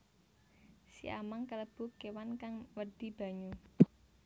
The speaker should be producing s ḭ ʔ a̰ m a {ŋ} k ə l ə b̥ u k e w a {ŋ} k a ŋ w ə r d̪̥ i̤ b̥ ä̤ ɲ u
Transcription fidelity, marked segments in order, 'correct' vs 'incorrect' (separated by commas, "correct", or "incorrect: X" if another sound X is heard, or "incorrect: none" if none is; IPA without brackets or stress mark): correct, incorrect: n